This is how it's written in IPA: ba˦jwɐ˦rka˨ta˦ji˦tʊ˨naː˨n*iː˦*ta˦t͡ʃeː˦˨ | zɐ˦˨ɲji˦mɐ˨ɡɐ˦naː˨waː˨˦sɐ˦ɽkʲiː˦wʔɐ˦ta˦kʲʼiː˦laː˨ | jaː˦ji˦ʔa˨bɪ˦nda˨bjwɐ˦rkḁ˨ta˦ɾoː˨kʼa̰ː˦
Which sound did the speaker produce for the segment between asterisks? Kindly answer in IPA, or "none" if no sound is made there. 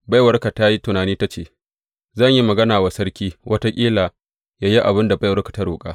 iː˦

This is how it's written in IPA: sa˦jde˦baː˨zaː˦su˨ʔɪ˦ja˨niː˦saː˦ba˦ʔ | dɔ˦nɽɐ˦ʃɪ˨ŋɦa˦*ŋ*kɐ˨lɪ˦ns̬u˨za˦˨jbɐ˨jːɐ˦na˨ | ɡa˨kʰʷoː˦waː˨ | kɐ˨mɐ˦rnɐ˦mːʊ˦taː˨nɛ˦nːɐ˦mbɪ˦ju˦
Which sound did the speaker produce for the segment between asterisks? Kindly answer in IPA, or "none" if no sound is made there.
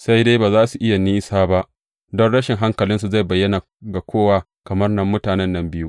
ŋ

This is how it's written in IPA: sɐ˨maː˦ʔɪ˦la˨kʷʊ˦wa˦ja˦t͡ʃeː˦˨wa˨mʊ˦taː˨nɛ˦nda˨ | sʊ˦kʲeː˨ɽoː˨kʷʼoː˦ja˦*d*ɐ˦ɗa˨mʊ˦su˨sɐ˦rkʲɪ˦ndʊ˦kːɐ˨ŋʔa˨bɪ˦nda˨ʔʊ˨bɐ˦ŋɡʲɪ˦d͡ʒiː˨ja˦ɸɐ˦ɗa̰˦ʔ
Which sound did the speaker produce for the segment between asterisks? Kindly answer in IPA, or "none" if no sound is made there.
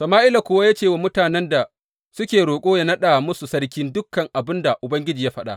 n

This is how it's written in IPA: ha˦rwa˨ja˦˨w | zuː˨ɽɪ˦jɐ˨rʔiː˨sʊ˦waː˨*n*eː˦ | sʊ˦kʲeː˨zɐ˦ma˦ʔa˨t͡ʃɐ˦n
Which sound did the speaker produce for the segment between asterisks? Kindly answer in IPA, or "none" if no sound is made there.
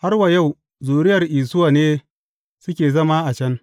n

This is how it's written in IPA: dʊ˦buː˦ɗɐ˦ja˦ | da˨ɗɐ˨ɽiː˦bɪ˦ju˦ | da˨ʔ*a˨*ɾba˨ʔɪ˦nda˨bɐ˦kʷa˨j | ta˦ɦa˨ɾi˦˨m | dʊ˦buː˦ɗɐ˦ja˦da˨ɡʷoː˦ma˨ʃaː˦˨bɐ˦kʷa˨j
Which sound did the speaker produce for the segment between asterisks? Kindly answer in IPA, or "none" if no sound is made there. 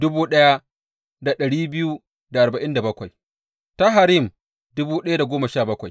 a˨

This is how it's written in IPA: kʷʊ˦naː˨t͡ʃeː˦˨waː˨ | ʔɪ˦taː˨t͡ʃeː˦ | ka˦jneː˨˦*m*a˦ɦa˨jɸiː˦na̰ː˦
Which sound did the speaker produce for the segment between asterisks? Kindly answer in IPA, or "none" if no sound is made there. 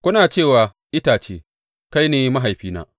m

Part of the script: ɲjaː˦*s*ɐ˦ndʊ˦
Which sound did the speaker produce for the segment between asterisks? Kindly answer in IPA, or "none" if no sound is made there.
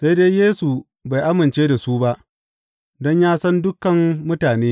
s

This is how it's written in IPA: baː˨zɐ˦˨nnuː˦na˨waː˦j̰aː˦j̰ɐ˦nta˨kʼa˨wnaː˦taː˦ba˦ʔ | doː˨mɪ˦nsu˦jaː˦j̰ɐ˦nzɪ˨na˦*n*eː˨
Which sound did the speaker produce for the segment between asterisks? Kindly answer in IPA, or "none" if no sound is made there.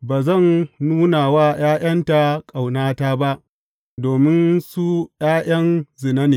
n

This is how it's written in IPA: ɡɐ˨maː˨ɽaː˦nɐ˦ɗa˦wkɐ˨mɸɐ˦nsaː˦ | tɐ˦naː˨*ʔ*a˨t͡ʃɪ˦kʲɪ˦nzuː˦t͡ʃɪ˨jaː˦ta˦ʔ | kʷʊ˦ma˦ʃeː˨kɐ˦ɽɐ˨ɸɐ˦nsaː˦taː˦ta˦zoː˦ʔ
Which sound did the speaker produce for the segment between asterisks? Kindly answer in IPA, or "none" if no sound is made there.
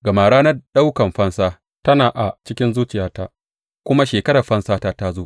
ʔ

